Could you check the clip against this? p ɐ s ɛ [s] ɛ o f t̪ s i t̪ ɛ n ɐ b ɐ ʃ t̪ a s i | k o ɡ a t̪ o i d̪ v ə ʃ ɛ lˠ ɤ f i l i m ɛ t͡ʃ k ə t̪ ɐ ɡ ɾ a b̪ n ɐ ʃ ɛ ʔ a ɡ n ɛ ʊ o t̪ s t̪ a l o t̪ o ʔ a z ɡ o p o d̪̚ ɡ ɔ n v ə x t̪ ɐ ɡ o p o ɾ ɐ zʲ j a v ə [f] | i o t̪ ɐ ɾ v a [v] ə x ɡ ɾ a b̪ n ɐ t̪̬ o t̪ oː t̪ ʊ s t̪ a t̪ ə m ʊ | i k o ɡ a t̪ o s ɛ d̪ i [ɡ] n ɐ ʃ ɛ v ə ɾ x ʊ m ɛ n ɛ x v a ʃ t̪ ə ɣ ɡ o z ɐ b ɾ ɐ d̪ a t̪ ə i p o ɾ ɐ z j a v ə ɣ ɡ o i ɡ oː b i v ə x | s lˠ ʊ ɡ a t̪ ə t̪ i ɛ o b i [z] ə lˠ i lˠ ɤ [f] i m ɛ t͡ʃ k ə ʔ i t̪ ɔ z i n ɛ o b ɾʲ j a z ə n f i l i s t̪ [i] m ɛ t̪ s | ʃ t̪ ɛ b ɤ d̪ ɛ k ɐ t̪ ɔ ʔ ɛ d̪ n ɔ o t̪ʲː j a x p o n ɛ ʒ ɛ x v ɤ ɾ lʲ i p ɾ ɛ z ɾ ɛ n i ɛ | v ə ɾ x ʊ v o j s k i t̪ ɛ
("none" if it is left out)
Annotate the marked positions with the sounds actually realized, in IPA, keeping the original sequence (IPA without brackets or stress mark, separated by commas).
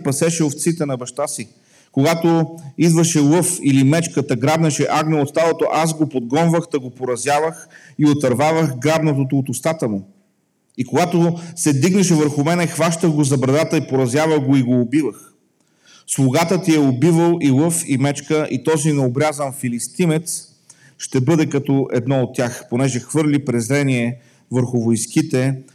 ʃ, x, v, ɡ, v, f, i